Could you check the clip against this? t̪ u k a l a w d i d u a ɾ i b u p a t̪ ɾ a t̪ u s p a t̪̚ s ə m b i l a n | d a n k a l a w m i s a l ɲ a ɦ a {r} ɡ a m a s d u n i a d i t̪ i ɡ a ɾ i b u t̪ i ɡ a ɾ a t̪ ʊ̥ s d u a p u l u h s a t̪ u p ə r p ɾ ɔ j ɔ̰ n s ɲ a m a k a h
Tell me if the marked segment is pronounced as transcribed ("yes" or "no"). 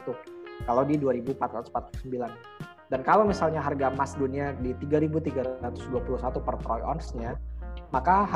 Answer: yes